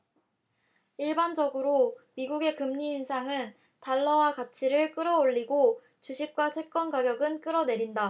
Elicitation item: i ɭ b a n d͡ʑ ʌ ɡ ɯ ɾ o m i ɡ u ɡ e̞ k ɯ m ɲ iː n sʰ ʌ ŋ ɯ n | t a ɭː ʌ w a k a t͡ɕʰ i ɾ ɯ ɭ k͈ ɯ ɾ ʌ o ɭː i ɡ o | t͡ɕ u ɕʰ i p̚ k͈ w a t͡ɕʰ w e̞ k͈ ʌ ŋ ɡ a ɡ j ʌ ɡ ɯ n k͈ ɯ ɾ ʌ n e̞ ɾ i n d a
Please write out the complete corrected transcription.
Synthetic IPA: i ɭ b a n d͡ʑ ʌ ɡ ɯ ɾ o m i ɡ u ɡ e̞ k ɯ m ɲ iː n sʰ a ŋ ɯ n | t a ɭː ʌ w a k a t͡ɕʰ i ɾ ɯ ɭ k͈ ɯ ɾ ʌ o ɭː i ɡ o | t͡ɕ u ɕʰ i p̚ k͈ w a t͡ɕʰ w e̞ k͈ ʌ n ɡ a ɡ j ʌ ɡ ɯ n k͈ ɯ ɾ ʌ n e̞ ɾ i n d a